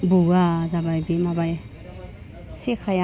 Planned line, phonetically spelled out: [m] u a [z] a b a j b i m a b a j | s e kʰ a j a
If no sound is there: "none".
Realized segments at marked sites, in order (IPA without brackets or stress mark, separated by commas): b, z